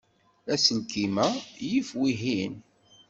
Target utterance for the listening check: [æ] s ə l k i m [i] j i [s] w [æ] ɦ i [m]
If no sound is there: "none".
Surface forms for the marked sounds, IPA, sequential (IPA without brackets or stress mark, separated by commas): æ, æ, f, i, n